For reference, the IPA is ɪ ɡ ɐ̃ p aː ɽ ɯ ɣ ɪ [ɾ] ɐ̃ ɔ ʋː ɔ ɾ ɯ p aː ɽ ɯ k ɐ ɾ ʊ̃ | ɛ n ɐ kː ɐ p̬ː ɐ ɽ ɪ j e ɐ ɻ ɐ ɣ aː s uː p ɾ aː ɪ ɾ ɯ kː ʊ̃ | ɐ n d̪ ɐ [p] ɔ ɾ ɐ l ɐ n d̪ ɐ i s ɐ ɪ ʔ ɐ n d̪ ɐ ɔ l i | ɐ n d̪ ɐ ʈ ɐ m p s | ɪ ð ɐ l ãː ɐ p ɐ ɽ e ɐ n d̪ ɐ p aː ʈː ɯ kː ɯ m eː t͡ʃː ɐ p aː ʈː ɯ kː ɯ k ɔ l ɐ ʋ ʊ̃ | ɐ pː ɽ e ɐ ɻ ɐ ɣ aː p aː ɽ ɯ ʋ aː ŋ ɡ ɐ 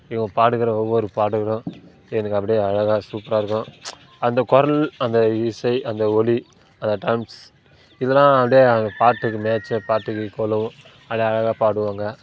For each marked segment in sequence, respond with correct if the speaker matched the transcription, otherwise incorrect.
correct, incorrect

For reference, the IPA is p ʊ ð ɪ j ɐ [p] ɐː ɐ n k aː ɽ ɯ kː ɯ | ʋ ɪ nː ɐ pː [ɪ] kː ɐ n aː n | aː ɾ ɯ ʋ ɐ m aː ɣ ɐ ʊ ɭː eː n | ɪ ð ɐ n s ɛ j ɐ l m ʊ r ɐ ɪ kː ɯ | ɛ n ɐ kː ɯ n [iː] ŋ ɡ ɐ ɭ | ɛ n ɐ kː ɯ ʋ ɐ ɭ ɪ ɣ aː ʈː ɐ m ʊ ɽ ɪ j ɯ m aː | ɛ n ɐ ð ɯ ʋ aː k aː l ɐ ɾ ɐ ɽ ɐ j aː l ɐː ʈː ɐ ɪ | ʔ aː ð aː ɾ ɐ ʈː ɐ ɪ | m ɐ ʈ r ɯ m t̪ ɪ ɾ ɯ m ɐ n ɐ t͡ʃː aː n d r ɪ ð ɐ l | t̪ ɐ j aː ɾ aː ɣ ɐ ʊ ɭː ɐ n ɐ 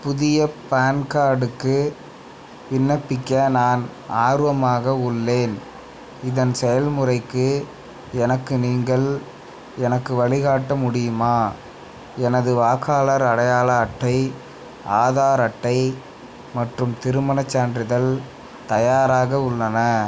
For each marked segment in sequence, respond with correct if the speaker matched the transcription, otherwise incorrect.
correct, correct, correct

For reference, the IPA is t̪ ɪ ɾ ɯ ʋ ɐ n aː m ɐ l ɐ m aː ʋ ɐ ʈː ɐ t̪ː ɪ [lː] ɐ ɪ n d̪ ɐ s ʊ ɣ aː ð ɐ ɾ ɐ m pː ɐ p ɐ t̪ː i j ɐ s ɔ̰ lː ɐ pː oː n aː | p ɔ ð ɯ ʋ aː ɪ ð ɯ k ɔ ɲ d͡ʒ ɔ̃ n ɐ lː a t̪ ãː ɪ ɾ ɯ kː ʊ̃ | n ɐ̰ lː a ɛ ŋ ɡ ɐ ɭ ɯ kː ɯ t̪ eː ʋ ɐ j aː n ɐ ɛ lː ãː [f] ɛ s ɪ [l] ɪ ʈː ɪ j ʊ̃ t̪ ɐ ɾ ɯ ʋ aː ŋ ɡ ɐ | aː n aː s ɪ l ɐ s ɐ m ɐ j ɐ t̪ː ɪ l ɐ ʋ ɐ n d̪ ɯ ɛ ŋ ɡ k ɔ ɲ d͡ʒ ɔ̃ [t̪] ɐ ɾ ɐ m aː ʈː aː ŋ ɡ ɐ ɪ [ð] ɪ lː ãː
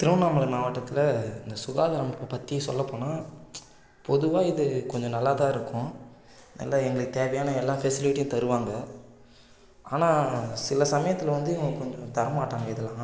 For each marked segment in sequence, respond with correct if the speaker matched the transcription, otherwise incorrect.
incorrect, correct, correct, correct, correct

